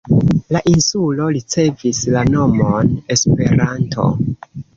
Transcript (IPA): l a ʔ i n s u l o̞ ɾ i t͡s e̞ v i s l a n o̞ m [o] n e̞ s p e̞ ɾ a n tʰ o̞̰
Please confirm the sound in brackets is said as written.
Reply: yes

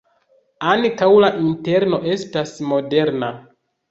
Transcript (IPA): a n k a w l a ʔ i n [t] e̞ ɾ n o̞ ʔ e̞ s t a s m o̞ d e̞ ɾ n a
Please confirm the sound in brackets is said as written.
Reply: yes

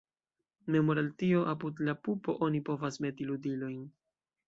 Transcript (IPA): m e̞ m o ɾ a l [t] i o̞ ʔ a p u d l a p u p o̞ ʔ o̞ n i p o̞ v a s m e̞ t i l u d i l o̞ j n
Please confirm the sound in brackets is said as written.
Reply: yes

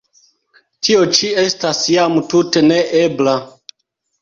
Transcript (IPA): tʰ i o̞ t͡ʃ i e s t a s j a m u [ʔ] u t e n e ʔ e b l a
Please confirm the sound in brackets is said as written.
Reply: no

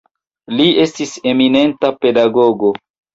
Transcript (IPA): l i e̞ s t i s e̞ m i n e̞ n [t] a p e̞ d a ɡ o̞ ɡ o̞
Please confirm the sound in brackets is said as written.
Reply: yes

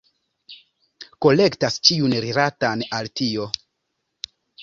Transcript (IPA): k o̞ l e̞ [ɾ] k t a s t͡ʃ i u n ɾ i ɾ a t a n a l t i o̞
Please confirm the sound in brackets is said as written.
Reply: no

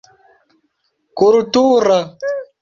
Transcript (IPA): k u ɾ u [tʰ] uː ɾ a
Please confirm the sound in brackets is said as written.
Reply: no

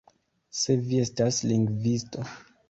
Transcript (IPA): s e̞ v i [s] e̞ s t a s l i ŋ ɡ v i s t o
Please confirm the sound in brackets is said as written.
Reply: no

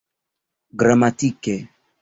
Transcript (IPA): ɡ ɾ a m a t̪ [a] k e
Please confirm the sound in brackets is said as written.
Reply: no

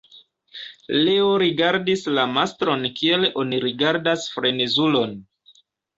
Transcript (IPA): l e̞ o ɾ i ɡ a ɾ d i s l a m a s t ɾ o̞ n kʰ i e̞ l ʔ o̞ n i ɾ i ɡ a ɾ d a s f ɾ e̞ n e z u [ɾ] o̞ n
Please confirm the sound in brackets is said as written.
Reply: no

